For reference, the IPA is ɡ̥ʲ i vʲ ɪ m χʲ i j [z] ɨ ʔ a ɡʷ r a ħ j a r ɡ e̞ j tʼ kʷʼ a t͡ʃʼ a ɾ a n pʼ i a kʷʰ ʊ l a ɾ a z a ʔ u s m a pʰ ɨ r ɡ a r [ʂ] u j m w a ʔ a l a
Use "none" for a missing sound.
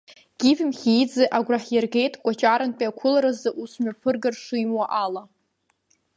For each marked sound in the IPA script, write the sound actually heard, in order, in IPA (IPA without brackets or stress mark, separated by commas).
d͡z, ʂ